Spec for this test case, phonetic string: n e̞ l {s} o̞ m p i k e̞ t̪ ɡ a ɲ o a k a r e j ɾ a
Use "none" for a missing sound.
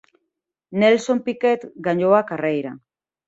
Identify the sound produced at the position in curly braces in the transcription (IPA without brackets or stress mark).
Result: s